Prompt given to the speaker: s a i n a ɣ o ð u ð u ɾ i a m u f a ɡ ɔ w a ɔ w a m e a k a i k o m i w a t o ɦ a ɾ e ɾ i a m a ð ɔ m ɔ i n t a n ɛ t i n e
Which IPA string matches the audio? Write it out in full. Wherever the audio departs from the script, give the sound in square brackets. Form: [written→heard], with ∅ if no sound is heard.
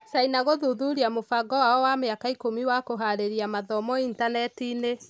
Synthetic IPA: s a i n a ɣ o ð u ð u ɾ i a m [u→o] f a ɡ ɔ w a ɔ w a m e a k a i k o m i w a [t→k] o ɦ a ɾ e ɾ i a m a ð ɔ m ɔ i n t a n ɛ t i n e